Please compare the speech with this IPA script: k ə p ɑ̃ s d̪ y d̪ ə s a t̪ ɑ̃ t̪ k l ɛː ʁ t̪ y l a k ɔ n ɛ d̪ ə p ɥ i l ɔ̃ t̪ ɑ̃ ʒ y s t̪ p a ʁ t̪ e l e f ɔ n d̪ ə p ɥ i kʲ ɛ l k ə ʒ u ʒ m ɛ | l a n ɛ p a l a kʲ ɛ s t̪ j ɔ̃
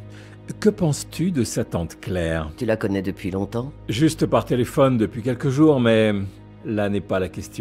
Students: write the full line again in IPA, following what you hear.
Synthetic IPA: k ə p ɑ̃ s t̪ y d̪ ə s a t̪ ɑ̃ t̪ k l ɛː ʁ t̪ y l a k ɔ n ɛ d̪ ə p ɥ i l ɔ̃ t̪ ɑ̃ ʒ y s t̪ p a ʁ t̪ e l e f ɔ n d̪ ə p ɥ i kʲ ɛ l k ə ʒ u ʁ m ɛ | l a n ɛ p a l a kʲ ɛ s t̪ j ɔ̃